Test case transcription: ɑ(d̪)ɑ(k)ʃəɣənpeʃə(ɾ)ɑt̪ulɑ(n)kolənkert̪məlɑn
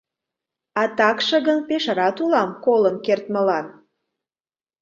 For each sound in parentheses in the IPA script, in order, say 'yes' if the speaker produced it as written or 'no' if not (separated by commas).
no, yes, yes, no